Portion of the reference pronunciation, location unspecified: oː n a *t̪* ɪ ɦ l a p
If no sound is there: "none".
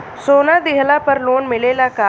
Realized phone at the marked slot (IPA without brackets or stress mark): d̪